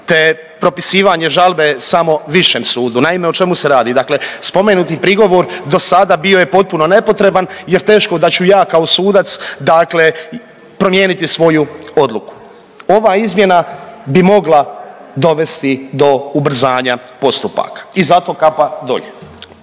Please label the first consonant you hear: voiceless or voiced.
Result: voiceless